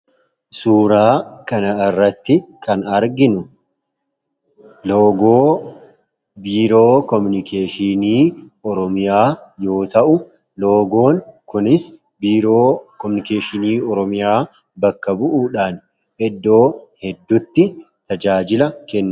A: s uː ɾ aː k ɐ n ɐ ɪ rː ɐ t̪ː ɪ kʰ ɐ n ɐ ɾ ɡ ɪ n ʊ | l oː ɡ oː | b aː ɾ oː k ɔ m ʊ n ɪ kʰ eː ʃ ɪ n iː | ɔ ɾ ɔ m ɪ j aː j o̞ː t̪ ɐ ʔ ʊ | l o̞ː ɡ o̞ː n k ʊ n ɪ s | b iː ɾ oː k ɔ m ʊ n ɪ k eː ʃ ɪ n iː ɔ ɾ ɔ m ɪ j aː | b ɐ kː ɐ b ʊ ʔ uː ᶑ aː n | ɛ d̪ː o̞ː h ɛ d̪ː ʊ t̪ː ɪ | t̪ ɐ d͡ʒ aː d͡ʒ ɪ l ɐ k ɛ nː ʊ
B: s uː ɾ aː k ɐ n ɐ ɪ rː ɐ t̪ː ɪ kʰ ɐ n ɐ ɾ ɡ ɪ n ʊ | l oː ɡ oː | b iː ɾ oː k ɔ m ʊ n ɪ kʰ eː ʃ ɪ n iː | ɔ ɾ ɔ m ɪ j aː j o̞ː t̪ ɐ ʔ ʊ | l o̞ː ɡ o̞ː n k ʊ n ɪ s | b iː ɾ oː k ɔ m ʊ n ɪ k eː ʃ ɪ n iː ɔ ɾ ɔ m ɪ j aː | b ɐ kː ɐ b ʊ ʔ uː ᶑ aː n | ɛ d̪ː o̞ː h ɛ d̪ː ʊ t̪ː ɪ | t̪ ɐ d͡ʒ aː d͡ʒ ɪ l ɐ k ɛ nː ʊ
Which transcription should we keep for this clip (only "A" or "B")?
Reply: B